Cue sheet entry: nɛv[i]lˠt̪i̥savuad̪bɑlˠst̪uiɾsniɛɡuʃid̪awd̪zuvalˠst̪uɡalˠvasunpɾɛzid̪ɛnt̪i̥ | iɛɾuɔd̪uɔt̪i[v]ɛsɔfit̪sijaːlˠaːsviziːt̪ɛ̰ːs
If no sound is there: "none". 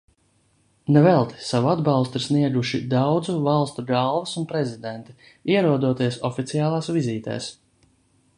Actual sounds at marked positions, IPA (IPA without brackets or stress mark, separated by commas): ɛ, none